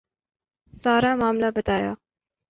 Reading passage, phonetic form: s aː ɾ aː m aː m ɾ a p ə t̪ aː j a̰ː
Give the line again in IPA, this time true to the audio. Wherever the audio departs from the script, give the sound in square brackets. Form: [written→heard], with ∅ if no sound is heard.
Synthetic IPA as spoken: s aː ɾ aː m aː m [ɾ→l] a [p→b] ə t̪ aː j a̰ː